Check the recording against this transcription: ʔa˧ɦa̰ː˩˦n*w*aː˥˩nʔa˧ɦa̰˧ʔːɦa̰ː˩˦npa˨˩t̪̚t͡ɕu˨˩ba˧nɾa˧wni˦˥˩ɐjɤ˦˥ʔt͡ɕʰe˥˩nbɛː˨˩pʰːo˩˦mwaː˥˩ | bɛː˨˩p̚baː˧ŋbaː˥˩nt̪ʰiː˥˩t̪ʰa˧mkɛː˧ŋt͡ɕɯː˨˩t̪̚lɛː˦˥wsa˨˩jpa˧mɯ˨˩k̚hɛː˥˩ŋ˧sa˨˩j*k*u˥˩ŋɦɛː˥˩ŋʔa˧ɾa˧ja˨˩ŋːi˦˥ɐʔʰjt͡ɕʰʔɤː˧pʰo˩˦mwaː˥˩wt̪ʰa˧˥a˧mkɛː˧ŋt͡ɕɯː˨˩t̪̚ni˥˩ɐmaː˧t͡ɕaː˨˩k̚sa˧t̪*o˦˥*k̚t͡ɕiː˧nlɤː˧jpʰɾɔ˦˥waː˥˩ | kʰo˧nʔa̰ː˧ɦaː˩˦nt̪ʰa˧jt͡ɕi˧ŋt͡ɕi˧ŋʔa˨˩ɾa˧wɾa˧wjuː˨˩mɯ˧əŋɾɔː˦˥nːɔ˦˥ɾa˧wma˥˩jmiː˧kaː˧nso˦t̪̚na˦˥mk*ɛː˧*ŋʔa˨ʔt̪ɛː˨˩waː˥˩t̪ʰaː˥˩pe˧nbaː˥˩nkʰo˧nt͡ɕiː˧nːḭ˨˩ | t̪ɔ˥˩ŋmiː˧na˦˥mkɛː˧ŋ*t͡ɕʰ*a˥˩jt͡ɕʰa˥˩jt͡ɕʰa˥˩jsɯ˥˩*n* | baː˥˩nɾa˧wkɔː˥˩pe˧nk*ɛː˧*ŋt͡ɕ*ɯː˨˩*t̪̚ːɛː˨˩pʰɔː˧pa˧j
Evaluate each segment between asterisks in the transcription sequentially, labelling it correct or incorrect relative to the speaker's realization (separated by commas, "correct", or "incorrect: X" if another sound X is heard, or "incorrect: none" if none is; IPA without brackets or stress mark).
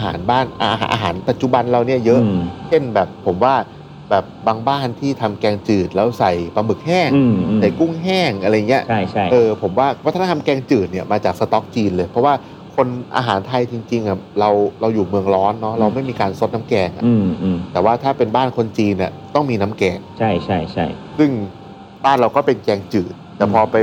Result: incorrect: b, correct, incorrect: ɔ˦˥, correct, correct, incorrect: ŋ, correct, correct